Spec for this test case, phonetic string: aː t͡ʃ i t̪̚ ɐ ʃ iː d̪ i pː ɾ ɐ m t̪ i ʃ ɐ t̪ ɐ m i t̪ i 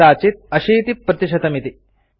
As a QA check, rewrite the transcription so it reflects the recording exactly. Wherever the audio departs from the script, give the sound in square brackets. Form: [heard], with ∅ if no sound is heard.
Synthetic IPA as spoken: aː t͡ʃ i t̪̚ ɐ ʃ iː [t̪] i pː ɾ ɐ [∅] t̪ i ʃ ɐ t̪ ɐ m i t̪ i